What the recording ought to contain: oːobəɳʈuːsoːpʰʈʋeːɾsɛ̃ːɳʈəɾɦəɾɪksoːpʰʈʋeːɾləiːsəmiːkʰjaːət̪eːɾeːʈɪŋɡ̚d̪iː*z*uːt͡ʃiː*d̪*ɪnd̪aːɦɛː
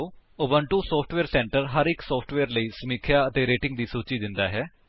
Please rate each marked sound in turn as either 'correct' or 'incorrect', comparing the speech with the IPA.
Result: incorrect, correct

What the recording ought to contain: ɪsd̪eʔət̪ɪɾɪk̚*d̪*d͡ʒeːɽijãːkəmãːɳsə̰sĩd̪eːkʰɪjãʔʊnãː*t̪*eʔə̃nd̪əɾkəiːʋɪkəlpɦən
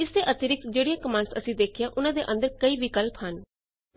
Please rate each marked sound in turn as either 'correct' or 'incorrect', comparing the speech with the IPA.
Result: incorrect, incorrect

